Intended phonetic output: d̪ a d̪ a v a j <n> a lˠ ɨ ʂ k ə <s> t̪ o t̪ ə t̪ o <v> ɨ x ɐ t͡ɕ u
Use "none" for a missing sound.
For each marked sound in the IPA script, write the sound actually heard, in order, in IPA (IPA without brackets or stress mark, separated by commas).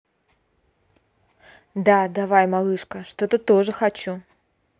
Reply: m, ʂ, ʐ